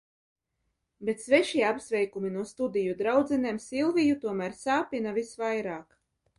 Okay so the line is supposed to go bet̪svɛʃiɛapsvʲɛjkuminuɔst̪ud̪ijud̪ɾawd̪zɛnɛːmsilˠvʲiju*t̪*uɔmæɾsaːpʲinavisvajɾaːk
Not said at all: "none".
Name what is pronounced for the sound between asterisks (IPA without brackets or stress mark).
t̪